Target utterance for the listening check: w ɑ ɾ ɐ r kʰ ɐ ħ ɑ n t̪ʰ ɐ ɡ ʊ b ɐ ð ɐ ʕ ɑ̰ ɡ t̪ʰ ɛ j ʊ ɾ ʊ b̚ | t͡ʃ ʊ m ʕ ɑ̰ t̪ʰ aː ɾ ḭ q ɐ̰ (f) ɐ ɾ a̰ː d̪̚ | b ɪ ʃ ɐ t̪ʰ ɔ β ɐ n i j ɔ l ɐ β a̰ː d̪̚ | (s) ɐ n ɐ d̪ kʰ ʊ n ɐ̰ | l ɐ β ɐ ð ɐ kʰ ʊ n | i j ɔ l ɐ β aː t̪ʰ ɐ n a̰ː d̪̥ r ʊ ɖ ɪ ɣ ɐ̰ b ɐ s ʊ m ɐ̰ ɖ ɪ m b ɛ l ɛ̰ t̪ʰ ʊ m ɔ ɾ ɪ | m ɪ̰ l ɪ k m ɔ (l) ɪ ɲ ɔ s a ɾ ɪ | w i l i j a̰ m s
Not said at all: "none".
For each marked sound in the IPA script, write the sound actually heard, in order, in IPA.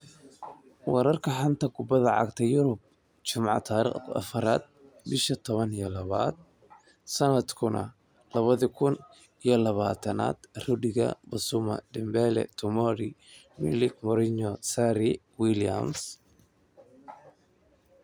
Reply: f, s, ɾ

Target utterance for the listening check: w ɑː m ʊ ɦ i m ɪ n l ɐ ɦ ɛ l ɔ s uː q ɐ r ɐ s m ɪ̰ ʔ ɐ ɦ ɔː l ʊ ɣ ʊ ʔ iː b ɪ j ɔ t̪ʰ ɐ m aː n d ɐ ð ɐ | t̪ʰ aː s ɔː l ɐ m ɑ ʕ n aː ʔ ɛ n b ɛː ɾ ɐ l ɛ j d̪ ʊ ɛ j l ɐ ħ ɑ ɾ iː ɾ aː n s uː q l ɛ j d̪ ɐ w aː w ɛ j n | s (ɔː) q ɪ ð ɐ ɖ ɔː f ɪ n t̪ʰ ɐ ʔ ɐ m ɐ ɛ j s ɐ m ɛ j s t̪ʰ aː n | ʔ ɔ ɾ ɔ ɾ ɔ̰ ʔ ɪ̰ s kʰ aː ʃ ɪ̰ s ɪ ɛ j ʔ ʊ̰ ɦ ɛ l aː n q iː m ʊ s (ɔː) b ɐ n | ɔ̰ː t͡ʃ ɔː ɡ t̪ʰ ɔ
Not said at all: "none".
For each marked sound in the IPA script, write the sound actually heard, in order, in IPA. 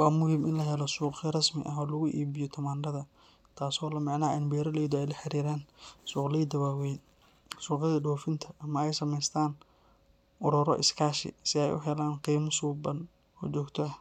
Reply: uː, uː

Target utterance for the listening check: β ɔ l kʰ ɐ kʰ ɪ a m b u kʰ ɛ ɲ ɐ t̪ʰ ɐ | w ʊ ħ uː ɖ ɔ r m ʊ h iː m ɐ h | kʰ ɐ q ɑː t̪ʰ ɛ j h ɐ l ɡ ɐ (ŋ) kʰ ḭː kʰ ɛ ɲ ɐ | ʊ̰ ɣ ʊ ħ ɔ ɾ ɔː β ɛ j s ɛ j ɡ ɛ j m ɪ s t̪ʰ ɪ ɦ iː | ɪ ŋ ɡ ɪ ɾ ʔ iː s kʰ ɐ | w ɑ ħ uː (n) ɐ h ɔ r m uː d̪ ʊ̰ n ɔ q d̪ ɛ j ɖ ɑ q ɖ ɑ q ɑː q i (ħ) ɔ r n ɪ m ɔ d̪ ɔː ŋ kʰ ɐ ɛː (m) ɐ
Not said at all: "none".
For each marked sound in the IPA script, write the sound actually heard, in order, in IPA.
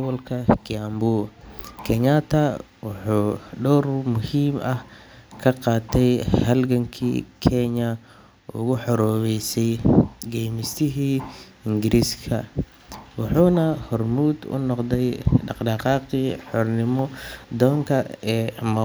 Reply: ŋ, n, ħ, m

